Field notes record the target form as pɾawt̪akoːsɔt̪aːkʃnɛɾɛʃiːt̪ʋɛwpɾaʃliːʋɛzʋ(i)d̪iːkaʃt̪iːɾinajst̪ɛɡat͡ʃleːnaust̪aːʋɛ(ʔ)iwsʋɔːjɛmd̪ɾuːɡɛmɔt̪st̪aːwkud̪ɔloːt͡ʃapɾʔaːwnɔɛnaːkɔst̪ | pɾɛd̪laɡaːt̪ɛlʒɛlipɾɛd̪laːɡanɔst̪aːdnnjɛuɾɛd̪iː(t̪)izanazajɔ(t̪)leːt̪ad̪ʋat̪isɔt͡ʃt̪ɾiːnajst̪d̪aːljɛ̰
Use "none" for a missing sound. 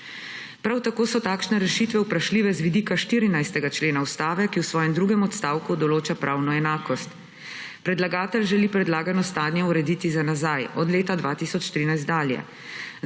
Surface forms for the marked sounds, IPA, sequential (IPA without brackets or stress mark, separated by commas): i, k, t̪, d̪